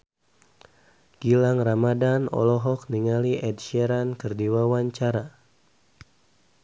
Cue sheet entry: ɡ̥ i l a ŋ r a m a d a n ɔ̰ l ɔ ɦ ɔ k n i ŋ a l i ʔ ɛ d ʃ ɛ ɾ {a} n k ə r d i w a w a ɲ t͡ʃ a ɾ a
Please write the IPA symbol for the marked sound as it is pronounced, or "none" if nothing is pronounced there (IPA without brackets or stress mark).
a